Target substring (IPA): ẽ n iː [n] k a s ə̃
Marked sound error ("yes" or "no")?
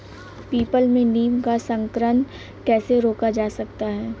yes